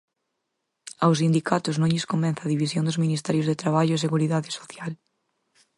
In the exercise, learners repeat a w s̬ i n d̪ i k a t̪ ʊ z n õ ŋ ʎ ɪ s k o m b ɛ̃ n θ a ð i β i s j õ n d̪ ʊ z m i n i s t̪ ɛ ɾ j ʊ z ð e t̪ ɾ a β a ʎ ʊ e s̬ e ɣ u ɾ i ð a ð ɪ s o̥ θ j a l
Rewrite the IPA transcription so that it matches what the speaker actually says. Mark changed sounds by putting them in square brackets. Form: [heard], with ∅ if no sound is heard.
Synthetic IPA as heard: a w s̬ i n d̪ i k a t̪ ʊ z n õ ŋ ʎ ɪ s k o m b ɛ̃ n θ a ð i β i s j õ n d̪ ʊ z m i n i s t̪ ɛ ɾ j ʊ z ð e t̪ ɾ a β a ʎ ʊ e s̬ e ɣ u ɾ i ð a ð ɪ s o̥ θ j a l